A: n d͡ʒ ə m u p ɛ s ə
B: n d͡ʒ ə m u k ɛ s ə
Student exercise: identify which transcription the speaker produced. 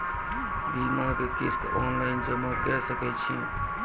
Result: B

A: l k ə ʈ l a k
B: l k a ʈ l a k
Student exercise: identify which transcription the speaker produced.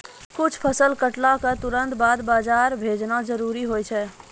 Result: A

